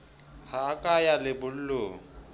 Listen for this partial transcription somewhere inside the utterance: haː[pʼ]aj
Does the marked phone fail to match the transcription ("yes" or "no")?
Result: yes